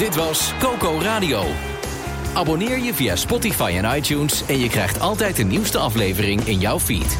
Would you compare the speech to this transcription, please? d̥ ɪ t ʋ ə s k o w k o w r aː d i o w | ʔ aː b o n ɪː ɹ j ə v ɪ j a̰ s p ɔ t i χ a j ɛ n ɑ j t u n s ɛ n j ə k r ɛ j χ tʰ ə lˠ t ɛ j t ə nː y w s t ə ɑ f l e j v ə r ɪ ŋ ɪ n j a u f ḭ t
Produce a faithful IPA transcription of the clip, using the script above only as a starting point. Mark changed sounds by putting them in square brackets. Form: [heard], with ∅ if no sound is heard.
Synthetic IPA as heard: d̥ ɪ t ʋ [ɑ] s k o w k o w r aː d i o w | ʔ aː b o n ɪː ɹ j ə v [i] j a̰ s p ɔ t i [f] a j ɛ n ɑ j t u n s ɛ n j ə k r ɛ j χ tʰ [ɑ] lˠ t ɛ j t ə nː [i] w s t ə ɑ f l e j v ə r ɪ ŋ ɪ n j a [w] f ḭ t